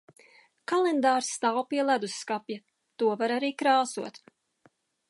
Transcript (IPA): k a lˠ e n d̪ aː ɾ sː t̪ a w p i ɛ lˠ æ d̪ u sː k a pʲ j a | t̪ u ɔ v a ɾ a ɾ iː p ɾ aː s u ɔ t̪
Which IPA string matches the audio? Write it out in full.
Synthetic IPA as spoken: k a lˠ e n d̪ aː ɾ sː t̪ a w p i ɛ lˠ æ d̪ u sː k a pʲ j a | t̪ u ɔ v a ɾ a ɾ iː k ɾ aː s u ɔ t̪